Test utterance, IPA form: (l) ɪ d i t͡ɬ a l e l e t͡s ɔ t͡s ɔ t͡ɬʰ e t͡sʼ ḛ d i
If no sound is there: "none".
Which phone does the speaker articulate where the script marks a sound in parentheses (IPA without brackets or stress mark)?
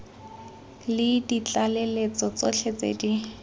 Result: l